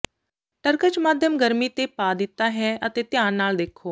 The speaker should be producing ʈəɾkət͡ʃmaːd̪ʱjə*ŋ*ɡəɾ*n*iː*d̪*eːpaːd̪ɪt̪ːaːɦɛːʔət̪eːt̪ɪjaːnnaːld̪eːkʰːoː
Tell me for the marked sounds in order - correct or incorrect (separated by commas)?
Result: incorrect, incorrect, incorrect